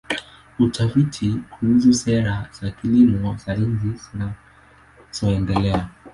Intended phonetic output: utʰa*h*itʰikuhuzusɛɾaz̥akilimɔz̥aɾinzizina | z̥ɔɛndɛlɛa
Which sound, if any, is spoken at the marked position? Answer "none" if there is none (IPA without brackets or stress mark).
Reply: f